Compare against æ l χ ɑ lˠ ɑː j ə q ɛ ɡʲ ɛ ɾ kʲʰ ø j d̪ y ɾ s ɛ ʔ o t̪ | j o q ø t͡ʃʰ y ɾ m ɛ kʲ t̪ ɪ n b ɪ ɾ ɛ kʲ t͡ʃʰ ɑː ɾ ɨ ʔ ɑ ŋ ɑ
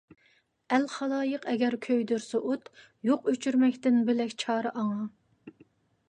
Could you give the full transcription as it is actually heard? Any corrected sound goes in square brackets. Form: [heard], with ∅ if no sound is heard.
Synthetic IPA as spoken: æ l χ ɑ lˠ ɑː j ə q ɛ ɡʲ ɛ ɾ kʲʰ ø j d̪ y ɾ s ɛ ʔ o t̪ | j o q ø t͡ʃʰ y ɾ m ɛ kʲ t̪ ɪ n b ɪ [l] ɛ kʲ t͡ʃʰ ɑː ɾ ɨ ʔ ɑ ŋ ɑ